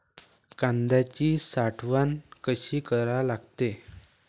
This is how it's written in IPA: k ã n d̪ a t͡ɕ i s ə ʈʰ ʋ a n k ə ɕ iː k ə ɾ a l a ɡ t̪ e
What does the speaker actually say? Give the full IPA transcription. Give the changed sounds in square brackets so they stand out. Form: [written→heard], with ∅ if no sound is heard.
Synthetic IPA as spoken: k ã n d̪ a t͡ɕ i s [ə→a] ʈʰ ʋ a n k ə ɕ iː k ə ɾ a l a ɡ t̪ e